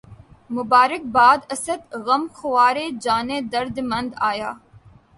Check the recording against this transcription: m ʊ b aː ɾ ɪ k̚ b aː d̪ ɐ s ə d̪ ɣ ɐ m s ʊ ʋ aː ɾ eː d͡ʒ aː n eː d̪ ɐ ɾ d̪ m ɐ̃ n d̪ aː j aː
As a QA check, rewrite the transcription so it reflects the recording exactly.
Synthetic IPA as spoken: m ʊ b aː ɾ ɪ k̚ b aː d̪ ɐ s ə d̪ ɣ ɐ m x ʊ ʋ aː ɾ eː d͡ʒ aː n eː d̪ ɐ ɾ d̪ m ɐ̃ n d̪ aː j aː